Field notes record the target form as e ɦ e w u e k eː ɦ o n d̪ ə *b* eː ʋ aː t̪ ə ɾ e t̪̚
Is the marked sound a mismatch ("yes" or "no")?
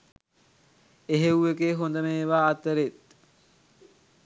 yes